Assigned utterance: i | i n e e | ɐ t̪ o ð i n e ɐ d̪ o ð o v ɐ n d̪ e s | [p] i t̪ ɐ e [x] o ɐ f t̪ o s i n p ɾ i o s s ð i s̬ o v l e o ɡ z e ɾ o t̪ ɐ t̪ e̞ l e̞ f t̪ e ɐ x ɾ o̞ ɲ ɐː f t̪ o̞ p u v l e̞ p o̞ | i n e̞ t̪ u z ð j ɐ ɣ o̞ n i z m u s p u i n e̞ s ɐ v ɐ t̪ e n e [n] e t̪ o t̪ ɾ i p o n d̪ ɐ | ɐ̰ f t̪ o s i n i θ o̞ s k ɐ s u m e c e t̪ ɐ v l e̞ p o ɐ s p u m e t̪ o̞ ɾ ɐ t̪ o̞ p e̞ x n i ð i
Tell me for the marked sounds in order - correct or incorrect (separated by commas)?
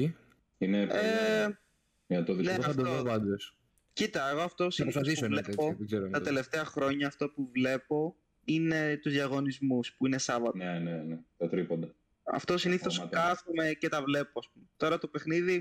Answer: incorrect, incorrect, correct